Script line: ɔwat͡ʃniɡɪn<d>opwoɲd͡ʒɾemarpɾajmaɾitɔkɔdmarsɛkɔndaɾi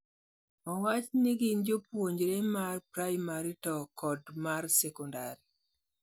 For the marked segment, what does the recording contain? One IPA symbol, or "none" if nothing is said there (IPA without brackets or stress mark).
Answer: d͡ʒ